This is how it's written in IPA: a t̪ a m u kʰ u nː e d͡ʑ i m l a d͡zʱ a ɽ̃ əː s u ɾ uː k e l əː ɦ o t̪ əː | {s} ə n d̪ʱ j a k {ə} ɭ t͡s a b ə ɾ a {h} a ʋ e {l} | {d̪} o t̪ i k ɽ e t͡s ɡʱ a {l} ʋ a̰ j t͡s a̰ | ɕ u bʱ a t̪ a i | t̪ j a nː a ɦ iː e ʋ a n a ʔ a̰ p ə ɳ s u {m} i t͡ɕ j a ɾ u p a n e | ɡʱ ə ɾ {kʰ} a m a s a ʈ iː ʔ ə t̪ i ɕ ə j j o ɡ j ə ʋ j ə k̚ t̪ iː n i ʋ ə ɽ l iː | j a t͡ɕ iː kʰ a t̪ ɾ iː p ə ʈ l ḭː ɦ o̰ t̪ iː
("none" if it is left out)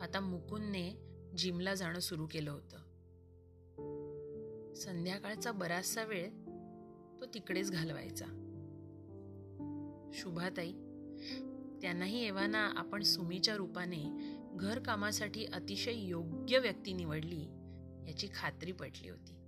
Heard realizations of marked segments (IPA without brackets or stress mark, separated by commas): s, a, s, ɭ, t̪, l, m, k